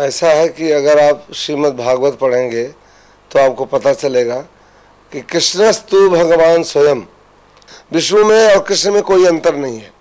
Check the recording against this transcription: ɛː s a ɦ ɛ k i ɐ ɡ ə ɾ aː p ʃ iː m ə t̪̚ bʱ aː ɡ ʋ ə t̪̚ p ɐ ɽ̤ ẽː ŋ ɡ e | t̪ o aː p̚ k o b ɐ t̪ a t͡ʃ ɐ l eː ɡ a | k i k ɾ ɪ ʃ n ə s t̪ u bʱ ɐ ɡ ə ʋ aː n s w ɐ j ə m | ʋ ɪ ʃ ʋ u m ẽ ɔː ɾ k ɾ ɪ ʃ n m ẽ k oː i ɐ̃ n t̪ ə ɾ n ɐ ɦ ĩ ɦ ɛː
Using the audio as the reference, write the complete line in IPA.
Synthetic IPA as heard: ɛː s a ɦ ɛ k i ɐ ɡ ə ɾ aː p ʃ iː m ə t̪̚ bʱ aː ɡ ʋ ə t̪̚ p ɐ ɽ̤ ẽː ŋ ɡ e | t̪ o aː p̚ k o p ɐ t̪ a t͡ʃ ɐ l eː ɡ a | k i k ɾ ɪ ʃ n ə s t̪ u bʱ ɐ ɡ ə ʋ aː n s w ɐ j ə m | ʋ ɪ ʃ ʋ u m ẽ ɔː ɾ k ɾ ɪ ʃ n m ẽ k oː i ɐ̃ n t̪ ə ɾ n ɐ ɦ ĩ ɦ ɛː